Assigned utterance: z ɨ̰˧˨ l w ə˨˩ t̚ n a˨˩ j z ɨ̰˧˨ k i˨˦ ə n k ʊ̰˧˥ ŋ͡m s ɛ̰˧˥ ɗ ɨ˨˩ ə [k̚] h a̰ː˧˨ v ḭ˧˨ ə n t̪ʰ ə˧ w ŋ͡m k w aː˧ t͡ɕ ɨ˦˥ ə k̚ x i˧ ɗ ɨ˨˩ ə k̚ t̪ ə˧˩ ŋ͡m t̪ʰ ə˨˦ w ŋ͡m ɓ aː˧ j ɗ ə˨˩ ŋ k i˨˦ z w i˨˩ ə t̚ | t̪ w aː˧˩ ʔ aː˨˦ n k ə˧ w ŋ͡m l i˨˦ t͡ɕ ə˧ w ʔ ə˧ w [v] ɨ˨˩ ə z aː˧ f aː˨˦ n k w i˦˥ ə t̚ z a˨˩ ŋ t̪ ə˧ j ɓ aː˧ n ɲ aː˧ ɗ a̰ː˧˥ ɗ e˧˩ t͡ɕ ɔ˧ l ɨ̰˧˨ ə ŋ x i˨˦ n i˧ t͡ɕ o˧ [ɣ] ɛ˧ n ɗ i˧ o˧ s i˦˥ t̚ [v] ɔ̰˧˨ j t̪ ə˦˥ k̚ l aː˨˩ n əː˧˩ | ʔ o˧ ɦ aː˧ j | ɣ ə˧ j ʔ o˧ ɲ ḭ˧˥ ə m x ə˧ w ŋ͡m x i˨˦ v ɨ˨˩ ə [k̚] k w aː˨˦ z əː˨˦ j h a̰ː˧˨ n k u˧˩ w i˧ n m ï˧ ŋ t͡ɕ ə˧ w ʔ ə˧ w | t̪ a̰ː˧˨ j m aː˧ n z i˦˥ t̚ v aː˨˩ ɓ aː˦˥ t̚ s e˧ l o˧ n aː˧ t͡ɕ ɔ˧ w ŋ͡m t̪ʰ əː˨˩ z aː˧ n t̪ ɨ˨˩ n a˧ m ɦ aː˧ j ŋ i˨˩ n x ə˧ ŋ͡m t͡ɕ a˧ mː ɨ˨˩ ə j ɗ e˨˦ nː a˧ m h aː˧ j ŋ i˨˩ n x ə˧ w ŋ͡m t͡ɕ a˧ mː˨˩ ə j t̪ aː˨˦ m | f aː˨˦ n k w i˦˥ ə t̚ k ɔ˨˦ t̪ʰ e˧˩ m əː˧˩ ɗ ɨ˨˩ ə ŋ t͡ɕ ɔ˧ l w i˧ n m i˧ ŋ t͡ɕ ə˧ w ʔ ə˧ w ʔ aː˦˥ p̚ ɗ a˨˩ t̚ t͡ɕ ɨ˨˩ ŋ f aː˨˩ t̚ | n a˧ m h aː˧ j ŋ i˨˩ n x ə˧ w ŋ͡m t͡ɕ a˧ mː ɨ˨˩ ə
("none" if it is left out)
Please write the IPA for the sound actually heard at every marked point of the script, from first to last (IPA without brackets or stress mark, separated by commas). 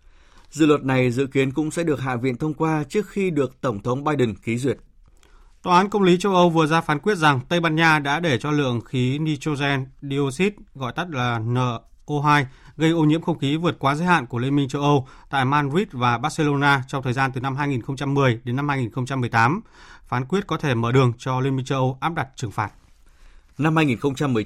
k̚, v, z, ɣ, t̚